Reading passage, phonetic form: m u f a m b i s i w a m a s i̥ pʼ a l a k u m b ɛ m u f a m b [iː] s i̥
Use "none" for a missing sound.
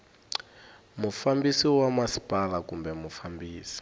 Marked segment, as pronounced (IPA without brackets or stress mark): iː